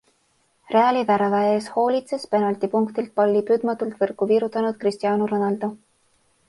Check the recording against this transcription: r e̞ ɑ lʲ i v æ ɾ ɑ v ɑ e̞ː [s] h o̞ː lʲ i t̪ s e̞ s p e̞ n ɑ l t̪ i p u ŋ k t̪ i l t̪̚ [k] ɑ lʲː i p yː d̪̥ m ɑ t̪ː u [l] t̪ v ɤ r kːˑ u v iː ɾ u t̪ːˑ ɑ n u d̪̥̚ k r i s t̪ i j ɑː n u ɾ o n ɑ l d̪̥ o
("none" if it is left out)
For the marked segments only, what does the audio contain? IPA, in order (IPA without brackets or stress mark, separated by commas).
s, p, l